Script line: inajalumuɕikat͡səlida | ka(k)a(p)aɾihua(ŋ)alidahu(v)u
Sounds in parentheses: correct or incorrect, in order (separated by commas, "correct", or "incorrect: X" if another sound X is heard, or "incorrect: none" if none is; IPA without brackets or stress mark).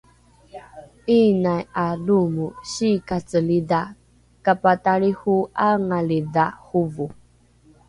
incorrect: p, incorrect: t, correct, correct